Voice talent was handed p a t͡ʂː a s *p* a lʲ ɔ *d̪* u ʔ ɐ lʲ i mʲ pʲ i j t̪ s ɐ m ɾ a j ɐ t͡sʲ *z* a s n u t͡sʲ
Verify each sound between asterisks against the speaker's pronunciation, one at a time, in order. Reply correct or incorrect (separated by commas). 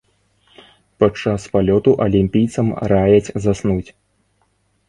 correct, incorrect, correct